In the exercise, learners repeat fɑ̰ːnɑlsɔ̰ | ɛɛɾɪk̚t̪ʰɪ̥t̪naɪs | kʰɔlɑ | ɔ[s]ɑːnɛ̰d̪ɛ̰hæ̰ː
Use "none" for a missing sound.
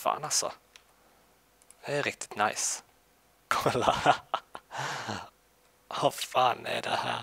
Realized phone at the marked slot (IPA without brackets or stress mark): f